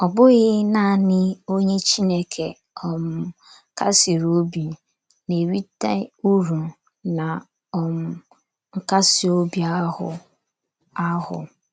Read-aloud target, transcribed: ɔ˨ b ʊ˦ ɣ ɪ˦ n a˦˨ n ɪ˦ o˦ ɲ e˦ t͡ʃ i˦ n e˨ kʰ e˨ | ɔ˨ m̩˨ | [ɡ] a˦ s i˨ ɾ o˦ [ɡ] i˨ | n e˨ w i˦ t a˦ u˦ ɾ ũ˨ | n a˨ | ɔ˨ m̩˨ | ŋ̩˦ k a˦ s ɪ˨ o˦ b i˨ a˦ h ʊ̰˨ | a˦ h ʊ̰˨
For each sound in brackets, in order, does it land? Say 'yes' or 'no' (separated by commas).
no, no